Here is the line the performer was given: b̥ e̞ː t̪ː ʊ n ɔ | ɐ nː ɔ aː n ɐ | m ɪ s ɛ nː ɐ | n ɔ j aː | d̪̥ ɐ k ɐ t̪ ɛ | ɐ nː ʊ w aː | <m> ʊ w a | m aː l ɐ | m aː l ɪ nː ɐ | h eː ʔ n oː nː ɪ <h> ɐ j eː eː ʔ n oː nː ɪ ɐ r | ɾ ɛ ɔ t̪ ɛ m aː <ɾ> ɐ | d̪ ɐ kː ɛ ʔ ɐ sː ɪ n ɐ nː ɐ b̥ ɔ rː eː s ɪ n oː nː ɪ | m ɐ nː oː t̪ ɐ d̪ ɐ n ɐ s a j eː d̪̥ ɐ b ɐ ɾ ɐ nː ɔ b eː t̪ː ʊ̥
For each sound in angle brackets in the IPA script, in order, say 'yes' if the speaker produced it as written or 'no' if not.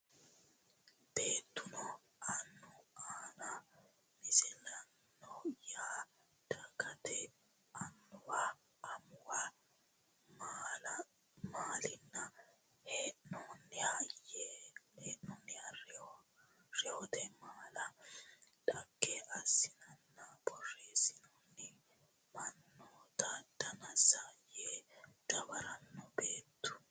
yes, yes, no

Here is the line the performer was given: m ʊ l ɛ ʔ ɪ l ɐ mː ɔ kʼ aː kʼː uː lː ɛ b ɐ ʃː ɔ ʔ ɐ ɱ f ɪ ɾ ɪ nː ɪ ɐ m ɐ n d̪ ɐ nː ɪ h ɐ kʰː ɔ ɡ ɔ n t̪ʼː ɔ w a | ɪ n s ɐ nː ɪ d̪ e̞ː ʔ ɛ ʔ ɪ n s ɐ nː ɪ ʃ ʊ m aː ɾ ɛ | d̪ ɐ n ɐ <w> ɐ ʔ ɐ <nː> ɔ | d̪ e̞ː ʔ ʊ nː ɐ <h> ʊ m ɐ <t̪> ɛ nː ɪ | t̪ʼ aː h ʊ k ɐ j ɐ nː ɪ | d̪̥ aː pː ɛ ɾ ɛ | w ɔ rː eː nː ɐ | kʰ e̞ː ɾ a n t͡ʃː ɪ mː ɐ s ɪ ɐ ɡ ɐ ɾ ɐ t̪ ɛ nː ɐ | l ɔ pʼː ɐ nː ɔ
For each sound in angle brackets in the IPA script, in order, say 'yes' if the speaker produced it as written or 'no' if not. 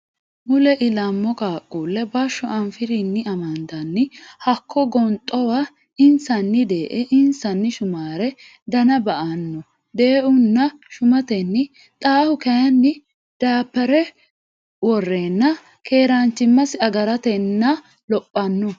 no, yes, no, yes

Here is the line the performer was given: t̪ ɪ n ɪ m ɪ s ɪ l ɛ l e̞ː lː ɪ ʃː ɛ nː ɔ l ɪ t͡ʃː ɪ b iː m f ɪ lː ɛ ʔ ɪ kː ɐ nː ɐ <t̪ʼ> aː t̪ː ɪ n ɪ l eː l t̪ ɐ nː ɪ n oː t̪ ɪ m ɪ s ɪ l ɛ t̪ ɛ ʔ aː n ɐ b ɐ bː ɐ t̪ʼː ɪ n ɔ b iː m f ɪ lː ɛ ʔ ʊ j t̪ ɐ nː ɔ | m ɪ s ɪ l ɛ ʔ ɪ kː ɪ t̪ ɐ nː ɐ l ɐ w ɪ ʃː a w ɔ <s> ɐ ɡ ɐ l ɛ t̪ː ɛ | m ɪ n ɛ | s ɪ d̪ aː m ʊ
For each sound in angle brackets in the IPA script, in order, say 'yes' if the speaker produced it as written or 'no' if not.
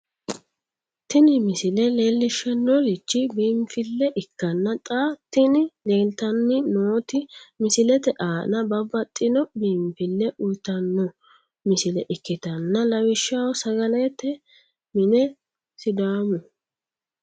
yes, yes

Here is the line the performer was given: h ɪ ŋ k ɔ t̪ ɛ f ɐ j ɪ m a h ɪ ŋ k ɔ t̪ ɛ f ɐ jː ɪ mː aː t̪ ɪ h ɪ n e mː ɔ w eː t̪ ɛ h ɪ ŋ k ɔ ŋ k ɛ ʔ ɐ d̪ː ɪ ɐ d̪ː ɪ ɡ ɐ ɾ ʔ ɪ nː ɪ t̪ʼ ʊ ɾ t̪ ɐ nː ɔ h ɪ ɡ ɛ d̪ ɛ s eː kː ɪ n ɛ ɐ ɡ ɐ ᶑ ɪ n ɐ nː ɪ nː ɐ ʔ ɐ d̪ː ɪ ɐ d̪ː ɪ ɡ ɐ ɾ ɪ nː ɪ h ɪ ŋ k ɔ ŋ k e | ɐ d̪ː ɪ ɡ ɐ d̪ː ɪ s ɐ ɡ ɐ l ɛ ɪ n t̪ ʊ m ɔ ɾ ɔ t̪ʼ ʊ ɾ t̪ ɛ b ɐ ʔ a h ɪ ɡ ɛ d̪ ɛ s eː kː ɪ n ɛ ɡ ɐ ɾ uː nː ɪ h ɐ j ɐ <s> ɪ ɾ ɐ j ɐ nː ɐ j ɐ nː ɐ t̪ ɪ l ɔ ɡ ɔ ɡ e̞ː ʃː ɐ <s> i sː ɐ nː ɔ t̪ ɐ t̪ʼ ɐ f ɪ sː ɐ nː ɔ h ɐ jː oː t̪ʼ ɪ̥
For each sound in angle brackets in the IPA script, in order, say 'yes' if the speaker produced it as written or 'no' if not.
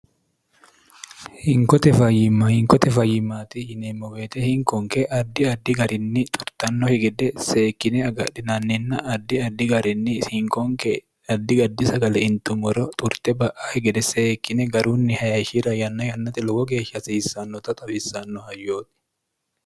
no, yes

